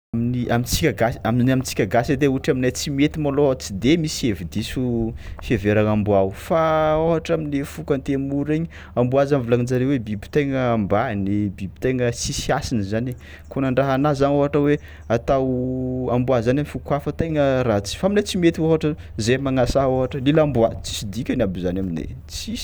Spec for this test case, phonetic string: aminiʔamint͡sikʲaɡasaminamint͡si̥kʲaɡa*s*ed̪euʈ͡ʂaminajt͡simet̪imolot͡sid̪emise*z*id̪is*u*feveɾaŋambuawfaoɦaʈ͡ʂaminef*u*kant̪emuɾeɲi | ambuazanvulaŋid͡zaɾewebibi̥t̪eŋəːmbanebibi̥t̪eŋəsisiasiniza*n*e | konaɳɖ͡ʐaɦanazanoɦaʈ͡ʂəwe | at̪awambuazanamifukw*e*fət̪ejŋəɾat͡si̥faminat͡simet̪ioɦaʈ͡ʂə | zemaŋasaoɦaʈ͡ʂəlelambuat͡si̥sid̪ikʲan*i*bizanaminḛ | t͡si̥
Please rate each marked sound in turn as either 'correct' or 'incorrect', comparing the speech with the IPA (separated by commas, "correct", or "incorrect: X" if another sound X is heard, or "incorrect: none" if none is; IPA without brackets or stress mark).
correct, incorrect: v, correct, correct, correct, incorrect: a, incorrect: a